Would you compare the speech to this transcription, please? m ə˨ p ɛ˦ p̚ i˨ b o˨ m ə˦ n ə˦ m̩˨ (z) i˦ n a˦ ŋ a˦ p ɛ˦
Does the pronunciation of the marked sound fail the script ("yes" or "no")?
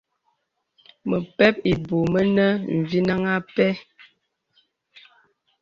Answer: yes